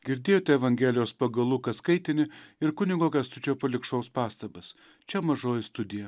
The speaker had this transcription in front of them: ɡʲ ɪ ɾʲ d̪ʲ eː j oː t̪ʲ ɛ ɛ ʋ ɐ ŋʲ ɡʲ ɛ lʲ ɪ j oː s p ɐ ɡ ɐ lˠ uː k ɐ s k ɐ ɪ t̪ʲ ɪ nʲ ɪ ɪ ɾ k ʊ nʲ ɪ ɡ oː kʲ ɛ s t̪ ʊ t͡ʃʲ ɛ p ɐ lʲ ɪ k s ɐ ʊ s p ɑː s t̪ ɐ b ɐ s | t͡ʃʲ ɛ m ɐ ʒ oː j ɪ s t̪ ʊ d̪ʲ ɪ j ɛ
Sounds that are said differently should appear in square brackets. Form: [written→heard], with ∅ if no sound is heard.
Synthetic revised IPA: ɡʲ ɪ ɾʲ d̪ʲ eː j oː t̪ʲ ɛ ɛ ʋ ɐ ŋʲ ɡʲ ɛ lʲ ɪ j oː s p ɐ ɡ ɐ lˠ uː k ɐ s k ɐ ɪ t̪ʲ ɪ nʲ ɪ ɪ ɾ k ʊ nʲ ɪ ɡ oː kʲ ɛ s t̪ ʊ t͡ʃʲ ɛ p ɐ lʲ ɪ k [s→ʃ] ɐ ʊ s p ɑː s t̪ ɐ b ɐ s | t͡ʃʲ ɛ m ɐ ʒ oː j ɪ s t̪ ʊ d̪ʲ ɪ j ɛ